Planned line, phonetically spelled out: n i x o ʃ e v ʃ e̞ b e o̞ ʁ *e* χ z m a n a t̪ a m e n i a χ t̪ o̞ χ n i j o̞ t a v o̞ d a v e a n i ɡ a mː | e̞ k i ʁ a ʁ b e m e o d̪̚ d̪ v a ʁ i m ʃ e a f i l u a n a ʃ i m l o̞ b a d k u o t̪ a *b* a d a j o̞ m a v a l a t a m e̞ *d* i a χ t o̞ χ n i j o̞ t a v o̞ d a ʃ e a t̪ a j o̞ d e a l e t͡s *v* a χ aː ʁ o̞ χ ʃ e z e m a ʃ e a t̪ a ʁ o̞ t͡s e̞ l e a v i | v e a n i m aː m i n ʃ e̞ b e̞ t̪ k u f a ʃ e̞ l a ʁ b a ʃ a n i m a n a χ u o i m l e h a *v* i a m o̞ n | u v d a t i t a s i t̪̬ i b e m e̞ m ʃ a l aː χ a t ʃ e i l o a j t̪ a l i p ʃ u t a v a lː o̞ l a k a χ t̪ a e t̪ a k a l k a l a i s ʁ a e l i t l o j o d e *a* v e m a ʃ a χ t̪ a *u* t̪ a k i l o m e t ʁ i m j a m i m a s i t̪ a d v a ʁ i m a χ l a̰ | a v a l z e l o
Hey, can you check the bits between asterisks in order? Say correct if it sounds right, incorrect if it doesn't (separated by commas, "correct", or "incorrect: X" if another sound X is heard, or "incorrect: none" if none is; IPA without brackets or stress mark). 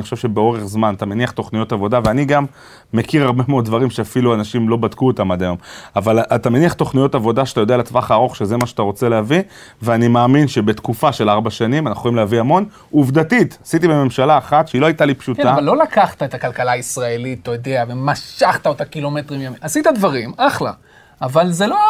correct, incorrect: m, incorrect: n, correct, correct, correct, incorrect: o